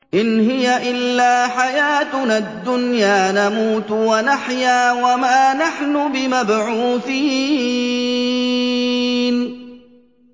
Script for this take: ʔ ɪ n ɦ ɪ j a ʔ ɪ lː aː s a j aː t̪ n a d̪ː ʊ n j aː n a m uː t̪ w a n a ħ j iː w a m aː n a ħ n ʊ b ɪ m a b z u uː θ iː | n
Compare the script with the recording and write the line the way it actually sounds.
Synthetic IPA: ʔ ɪ n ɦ ɪ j a ʔ ɪ lː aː ħ a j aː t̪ n a d̪ː ʊ n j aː n a m uː t̪ w a n a ħ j aː w a m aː n a ħ n ʊ b ɪ m a b ʕ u uː θ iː | n